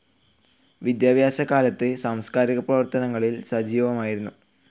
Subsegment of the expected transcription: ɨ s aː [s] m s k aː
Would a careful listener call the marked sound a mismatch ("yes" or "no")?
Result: yes